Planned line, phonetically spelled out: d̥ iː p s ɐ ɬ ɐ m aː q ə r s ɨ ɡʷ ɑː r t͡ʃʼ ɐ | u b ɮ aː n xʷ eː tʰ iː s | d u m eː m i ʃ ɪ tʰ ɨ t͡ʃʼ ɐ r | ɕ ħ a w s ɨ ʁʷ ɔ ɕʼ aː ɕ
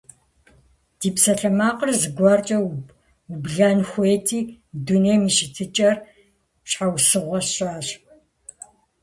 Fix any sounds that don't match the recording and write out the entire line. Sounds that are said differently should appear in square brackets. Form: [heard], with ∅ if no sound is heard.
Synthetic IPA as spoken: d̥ iː p s ɐ ɬ ɐ m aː q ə r [z] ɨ ɡʷ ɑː r t͡ʃʼ ɐ | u b ɮ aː n xʷ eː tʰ iː [∅] | d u [n] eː m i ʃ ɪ tʰ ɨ t͡ʃʼ ɐ r | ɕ ħ a w s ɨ ʁʷ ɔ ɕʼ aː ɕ